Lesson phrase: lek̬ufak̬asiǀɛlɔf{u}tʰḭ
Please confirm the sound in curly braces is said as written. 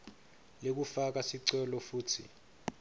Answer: no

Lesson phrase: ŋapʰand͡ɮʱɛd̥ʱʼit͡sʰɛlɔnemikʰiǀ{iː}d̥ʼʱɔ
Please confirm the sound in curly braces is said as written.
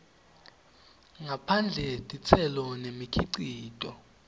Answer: yes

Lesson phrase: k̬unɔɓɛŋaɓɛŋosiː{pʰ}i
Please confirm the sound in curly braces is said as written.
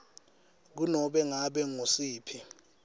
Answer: yes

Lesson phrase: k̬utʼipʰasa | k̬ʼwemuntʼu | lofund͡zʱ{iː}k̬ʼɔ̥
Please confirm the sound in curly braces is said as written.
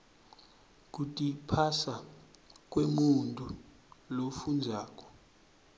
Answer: no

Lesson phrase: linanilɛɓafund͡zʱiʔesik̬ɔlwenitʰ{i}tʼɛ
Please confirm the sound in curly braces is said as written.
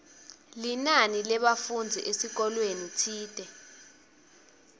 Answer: no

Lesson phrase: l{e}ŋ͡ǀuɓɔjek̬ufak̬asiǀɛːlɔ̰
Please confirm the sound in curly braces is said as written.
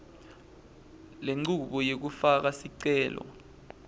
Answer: yes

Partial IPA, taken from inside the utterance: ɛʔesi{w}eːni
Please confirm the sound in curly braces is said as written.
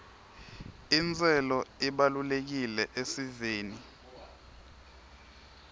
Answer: no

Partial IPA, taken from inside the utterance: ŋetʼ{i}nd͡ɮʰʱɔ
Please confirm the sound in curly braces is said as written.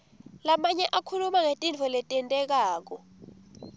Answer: yes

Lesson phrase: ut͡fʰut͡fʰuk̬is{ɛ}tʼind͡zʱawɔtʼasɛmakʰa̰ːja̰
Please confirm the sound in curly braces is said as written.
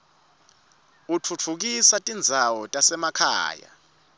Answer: no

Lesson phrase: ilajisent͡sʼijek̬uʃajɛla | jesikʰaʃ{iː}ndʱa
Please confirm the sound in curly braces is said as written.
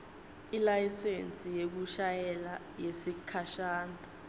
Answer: no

